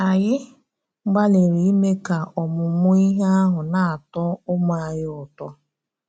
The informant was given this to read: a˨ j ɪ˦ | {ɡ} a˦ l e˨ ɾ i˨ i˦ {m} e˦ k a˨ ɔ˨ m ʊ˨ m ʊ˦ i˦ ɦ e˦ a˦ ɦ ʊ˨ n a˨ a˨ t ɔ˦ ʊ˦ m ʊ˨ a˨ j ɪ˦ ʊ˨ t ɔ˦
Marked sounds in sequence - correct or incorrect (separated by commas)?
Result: incorrect, correct